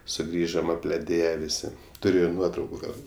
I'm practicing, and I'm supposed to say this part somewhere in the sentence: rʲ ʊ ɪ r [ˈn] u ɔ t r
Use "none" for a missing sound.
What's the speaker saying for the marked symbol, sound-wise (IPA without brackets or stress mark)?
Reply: n